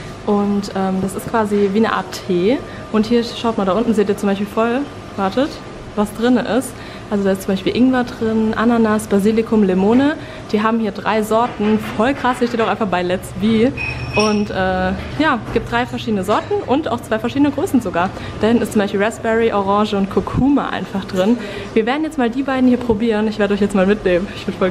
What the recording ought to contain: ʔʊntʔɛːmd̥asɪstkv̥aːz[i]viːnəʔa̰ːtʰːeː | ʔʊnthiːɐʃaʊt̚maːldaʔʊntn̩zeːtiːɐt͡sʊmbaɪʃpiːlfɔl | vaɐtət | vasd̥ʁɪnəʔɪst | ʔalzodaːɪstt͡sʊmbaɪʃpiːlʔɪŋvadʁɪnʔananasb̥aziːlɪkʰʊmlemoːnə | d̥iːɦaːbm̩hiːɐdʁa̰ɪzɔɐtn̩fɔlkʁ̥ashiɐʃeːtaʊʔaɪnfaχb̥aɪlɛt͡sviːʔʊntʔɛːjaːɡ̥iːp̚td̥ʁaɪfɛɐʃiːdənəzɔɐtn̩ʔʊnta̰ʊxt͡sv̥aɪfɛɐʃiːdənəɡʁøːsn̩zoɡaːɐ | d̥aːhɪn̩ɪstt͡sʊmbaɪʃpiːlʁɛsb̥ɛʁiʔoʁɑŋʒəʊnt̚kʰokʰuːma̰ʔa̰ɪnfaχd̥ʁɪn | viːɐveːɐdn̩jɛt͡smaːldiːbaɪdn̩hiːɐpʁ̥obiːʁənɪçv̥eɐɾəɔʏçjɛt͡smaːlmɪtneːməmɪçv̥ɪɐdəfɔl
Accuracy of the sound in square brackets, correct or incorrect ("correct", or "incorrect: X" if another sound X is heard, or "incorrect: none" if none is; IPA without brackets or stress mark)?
correct